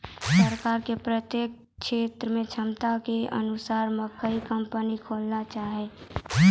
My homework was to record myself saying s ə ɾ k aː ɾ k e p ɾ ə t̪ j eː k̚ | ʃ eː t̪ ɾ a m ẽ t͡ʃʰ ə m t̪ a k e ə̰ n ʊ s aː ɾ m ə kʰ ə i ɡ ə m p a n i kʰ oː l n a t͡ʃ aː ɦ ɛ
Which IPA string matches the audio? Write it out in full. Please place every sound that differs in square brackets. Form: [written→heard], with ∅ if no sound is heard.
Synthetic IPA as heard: s ə ɾ k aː ɾ k e p ɾ ə t̪ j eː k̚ | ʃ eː t̪ ɾ [a→ə] m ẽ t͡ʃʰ ə m t̪ a k e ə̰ n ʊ s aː ɾ m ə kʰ ə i [ɡ→k] ə m p [a→ə] n i kʰ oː l n a t͡ʃ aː ɦ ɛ